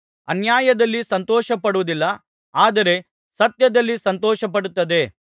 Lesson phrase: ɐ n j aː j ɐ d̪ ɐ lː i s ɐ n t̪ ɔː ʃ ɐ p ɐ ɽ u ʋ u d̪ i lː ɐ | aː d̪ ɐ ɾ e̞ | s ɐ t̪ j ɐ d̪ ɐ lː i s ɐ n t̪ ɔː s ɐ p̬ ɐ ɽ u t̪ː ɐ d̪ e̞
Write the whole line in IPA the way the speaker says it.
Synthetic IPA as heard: ɐ n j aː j ɐ d̪ ɐ lː i s ɐ n t̪ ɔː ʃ ɐ p ɐ ɽ u ʋ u d̪ i lː ɐ | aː d̪ ɐ ɾ e̞ | s ɐ t̪ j ɐ d̪ ɐ lː i s ɐ n t̪ ɔː ʃ ɐ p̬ ɐ ɽ u t̪ː ɐ d̪ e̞